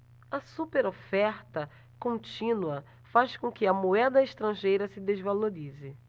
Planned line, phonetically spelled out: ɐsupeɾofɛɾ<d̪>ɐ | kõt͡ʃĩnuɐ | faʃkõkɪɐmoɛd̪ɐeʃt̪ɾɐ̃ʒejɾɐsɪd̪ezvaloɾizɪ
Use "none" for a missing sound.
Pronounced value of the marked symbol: t̪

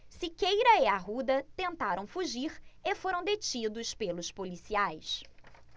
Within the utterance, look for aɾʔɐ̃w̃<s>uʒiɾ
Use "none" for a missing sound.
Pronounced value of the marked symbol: f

